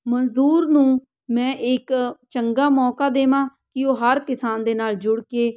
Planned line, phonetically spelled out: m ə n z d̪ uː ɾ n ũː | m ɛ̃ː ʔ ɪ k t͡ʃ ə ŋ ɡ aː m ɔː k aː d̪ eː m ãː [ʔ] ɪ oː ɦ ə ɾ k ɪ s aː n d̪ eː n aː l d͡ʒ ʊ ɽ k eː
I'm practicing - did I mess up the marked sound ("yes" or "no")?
yes